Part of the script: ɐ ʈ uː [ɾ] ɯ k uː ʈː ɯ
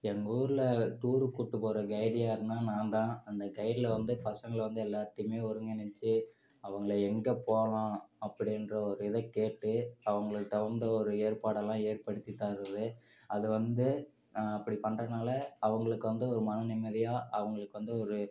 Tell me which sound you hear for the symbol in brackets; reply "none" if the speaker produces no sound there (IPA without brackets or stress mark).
ɾ